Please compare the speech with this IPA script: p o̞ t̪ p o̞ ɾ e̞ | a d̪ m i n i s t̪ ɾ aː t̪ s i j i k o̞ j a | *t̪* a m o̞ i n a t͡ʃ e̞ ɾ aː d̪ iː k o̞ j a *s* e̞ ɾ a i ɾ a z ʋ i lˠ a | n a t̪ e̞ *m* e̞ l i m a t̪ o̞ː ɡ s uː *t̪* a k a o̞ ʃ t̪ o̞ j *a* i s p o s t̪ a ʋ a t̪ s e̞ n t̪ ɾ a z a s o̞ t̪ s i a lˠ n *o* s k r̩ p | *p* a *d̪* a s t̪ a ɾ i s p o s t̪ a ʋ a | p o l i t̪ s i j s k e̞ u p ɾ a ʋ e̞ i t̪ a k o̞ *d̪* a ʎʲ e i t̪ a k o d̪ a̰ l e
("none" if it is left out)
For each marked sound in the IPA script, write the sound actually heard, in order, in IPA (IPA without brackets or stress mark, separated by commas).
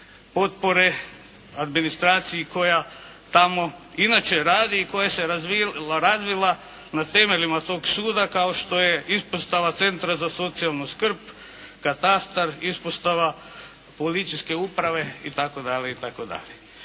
t̪, s, m, d̪, e, u, k, t̪, d̪